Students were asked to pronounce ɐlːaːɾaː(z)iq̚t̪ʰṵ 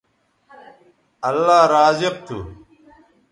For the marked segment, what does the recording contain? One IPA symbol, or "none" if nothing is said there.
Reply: z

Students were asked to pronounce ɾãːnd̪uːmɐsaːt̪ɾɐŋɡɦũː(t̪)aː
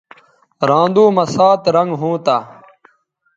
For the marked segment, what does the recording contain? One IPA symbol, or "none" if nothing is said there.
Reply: t̪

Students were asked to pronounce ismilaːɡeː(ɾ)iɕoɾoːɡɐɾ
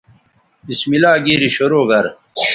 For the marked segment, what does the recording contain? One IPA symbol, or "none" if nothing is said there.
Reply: ɾ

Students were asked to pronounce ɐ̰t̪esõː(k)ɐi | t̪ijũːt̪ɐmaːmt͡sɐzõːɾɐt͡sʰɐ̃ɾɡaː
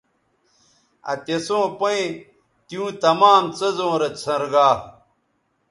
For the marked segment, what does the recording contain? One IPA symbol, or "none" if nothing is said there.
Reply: p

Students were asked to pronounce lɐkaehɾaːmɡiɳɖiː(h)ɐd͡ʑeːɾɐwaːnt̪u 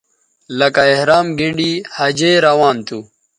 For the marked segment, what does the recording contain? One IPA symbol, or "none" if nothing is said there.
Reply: h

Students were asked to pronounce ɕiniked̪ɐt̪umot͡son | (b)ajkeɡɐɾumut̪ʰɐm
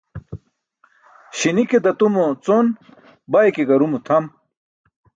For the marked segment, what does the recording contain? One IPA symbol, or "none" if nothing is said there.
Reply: b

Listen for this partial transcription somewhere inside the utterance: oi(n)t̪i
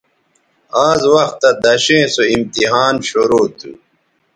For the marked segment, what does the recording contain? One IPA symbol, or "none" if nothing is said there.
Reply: m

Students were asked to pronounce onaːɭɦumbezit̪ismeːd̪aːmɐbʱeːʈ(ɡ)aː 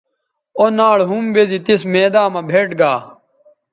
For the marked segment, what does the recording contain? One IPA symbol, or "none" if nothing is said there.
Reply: ɡ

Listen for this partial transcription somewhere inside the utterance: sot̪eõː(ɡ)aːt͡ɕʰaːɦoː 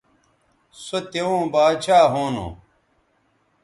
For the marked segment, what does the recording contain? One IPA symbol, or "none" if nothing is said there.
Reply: b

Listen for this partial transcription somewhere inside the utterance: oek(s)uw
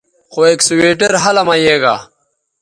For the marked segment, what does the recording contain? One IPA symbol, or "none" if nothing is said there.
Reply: s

